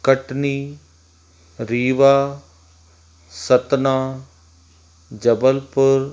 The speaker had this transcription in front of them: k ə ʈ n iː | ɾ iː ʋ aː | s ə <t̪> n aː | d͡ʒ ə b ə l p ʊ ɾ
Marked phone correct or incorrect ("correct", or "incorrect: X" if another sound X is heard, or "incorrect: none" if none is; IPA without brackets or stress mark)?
correct